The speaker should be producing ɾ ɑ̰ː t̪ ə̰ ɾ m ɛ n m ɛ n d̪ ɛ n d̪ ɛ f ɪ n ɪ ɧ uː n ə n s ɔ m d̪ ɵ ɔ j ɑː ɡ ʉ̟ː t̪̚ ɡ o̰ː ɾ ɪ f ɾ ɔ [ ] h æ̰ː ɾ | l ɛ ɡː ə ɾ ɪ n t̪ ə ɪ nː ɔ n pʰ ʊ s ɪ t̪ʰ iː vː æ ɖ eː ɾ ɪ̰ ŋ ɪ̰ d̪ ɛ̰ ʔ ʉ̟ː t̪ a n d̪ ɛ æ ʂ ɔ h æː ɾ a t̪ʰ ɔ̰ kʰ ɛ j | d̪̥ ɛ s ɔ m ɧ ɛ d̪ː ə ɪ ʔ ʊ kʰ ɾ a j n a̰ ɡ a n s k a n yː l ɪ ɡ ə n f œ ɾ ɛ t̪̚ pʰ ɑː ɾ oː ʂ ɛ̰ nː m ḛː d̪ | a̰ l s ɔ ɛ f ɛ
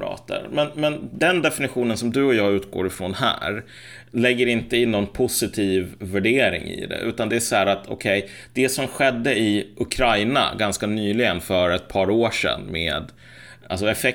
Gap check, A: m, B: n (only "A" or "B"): B